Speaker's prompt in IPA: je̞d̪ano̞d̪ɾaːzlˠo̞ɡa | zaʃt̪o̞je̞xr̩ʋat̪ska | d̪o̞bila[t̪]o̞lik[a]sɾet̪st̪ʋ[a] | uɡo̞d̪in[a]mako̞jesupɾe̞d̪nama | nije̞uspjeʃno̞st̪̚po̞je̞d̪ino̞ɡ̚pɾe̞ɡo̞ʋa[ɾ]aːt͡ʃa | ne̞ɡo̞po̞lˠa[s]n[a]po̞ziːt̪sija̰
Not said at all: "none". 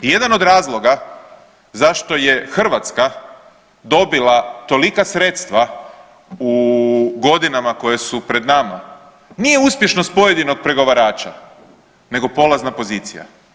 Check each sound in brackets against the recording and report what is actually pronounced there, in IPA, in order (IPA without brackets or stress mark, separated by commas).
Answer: t̪, a, a, a, ɾ, z, a